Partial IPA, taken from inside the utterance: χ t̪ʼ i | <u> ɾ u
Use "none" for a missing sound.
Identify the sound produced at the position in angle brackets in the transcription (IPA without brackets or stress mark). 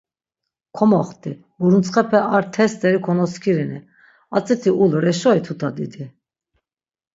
u